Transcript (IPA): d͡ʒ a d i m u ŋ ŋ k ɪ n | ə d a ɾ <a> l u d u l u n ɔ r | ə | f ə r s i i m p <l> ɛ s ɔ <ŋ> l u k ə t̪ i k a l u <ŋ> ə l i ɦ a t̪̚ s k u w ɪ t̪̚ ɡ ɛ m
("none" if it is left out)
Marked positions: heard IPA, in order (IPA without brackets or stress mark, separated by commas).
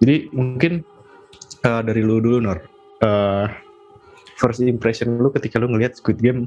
i, ɾ, n, ŋ